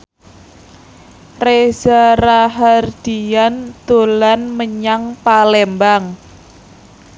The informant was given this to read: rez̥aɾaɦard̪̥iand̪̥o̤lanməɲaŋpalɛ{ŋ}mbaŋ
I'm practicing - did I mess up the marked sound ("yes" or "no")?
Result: yes